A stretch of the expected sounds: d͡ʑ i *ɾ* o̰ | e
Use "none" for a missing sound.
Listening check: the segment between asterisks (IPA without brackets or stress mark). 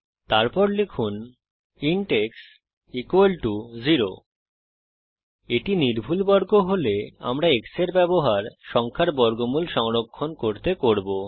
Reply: ɾ